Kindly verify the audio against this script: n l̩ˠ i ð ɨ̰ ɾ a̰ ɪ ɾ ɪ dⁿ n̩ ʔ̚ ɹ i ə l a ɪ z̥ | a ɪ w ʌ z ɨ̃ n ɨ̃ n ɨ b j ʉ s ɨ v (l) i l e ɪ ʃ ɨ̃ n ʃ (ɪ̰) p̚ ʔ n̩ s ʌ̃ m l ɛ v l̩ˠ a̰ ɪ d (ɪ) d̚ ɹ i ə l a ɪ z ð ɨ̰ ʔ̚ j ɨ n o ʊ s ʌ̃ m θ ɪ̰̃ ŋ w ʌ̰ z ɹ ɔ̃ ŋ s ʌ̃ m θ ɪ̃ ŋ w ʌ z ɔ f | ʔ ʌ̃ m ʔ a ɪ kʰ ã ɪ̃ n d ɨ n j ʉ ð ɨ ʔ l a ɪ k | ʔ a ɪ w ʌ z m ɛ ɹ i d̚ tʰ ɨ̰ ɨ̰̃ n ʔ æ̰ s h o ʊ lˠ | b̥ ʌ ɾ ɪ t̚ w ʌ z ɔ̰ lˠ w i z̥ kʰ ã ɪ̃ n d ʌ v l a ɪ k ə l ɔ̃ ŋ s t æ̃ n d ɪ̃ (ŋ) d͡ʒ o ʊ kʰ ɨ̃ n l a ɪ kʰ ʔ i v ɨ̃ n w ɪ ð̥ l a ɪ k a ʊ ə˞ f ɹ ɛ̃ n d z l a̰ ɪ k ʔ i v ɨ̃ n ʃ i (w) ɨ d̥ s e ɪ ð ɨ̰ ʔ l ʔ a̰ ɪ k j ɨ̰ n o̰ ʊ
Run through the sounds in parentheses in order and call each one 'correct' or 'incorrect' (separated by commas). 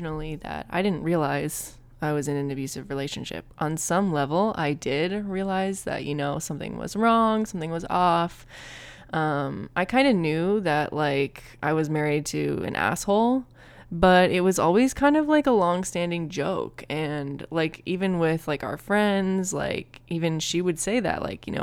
incorrect, correct, correct, correct, correct